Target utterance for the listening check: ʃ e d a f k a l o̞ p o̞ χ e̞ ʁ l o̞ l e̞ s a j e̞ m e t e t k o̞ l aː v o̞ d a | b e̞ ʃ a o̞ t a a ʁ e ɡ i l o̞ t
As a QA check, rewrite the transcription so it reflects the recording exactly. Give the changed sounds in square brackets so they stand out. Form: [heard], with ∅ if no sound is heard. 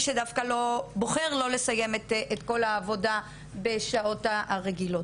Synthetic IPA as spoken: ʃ e d a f k a l o̞ [b] o̞ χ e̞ ʁ l o̞ l e̞ s a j e̞ m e t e t k o̞ l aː v o̞ d a | b e̞ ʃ a o̞ t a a ʁ e ɡ i l o̞ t